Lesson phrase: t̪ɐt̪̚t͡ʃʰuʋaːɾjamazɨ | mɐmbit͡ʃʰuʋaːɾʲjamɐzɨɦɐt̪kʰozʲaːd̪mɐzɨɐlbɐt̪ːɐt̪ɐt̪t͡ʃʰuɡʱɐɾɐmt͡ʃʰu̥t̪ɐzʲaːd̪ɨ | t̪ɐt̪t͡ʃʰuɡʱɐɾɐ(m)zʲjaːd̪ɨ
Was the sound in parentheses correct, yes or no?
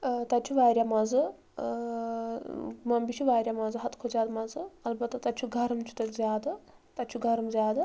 yes